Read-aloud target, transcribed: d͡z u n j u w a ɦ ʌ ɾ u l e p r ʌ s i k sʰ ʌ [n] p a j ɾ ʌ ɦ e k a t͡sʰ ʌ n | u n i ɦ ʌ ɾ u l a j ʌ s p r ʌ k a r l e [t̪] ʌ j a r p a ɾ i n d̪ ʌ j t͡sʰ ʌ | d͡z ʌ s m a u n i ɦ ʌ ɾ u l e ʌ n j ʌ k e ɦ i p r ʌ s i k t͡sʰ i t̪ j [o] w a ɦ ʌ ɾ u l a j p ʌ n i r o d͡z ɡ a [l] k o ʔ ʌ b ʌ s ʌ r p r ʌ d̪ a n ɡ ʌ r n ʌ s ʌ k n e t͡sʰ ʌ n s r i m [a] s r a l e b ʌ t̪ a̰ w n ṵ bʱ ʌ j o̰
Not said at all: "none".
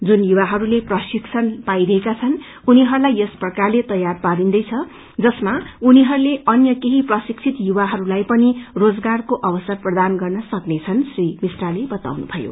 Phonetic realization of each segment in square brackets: n, t̪, u, r, i

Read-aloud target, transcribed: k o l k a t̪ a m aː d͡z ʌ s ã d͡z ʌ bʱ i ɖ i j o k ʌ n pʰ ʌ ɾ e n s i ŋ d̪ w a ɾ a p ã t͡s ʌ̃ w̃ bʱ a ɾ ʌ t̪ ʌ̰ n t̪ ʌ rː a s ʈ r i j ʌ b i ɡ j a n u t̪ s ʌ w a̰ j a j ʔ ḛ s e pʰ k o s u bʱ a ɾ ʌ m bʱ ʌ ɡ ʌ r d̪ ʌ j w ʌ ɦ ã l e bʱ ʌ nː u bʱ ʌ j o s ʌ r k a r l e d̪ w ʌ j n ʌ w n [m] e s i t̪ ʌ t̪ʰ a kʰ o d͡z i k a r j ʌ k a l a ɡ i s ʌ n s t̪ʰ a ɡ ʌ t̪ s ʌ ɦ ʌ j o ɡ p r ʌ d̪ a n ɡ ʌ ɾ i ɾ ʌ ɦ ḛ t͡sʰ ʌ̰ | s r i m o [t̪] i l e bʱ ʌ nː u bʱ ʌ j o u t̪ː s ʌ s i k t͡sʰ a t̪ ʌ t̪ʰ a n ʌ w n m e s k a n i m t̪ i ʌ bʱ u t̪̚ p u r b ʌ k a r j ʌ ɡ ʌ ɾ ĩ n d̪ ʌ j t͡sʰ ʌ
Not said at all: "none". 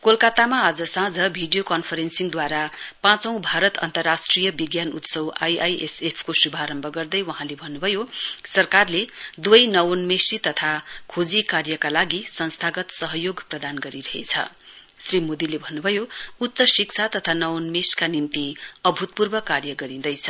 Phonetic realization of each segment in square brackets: m, d̪

